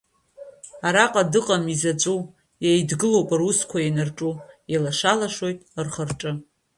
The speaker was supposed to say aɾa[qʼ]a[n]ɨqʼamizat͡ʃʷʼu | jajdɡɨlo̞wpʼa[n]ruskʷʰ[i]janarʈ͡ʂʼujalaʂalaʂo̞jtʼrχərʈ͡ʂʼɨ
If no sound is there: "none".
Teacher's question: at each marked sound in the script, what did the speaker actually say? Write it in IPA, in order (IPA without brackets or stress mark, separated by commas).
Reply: qʼ, d, none, a